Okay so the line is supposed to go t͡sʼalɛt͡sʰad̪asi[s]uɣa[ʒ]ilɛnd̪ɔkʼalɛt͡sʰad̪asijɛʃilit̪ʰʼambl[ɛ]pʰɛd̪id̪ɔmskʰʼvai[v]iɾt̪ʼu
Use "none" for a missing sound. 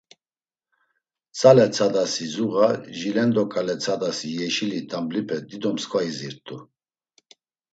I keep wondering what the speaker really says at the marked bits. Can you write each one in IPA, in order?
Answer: z, ʒ, i, z

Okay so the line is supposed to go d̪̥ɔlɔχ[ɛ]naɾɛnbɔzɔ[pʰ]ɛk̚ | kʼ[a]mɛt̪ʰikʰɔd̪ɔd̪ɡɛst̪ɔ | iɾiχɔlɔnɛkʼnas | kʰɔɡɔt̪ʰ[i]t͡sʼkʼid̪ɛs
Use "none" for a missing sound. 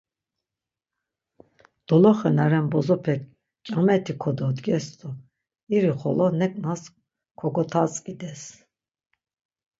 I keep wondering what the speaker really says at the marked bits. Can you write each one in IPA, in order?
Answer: ɛ, pʰ, a, a

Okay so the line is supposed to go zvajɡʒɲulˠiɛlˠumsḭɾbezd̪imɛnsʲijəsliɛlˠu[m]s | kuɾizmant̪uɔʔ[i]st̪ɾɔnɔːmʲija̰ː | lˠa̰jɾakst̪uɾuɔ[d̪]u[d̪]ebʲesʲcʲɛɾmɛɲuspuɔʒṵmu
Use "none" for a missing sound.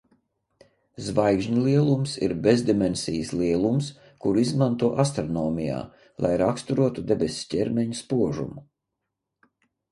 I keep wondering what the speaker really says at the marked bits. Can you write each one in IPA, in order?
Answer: m, a, t̪, d̪

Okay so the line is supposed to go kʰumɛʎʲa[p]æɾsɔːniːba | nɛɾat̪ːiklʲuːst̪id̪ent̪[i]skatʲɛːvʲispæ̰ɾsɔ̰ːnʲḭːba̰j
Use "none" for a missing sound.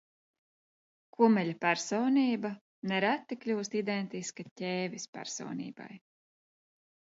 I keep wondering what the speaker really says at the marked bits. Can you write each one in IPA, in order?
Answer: p, i

